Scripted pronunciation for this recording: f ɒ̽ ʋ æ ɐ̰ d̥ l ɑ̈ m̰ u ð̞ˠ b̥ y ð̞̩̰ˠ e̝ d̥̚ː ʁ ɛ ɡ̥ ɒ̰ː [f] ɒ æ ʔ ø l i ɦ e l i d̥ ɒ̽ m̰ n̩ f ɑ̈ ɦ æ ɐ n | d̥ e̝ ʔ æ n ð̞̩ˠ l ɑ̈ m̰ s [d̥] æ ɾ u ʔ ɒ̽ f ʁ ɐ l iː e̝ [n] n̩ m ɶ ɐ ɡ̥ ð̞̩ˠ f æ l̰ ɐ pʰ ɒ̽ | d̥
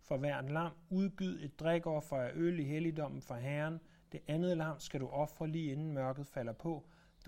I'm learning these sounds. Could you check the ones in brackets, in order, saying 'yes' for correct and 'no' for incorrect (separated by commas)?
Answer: yes, no, yes